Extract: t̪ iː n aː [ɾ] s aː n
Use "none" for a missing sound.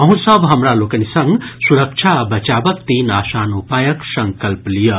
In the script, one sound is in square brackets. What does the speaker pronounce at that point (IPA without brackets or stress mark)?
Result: none